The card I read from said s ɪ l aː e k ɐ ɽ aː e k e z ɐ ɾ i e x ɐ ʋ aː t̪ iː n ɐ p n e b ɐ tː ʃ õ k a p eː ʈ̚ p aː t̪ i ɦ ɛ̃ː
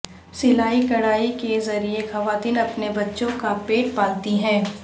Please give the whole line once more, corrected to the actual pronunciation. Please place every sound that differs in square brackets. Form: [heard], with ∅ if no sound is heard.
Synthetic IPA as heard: s ɪ l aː [i] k ɐ ɽ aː [i] k e z ɐ ɾ i e x ɐ ʋ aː t̪ iː n ɐ p n e b ɐ tː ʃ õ k a p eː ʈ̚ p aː t̪ i ɦ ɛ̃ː